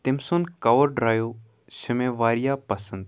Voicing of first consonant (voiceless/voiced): voiceless